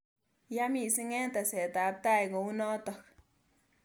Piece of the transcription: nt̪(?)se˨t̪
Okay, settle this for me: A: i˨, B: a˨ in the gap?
B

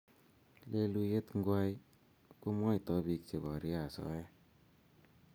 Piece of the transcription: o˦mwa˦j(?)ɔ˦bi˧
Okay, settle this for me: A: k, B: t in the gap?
B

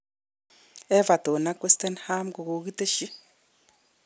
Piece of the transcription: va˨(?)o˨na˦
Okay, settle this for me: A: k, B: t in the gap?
B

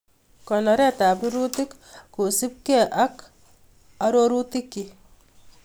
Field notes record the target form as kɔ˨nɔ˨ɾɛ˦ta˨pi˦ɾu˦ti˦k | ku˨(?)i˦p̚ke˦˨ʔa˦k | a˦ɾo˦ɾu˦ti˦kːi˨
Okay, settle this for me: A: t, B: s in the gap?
B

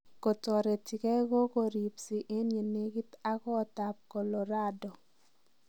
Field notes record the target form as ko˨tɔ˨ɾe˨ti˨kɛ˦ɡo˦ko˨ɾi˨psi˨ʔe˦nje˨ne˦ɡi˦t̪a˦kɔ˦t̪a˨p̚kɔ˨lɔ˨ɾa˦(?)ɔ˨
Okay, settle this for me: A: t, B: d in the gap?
B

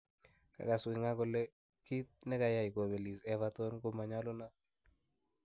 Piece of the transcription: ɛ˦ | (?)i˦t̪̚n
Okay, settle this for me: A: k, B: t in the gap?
A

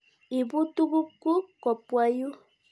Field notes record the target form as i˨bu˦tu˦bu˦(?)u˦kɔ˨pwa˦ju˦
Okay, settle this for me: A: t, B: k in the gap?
B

